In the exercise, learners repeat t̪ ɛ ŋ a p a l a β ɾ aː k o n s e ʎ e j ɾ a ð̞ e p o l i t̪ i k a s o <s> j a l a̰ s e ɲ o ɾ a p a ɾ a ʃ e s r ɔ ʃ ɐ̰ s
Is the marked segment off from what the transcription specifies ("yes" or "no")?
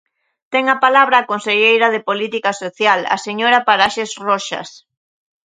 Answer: yes